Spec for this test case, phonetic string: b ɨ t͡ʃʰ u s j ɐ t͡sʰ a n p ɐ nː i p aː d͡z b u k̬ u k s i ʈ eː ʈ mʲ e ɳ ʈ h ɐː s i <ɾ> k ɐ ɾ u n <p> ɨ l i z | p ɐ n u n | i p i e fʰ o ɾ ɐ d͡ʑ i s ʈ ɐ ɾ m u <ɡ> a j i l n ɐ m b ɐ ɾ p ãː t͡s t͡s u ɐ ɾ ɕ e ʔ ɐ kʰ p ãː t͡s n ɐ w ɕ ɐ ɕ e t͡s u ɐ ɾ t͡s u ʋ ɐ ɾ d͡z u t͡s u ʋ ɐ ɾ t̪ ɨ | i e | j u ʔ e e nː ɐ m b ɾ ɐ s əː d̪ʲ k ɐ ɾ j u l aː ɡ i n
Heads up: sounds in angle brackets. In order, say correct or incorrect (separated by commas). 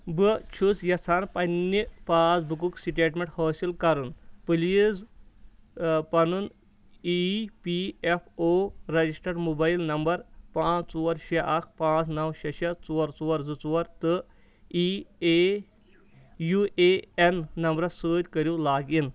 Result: incorrect, correct, incorrect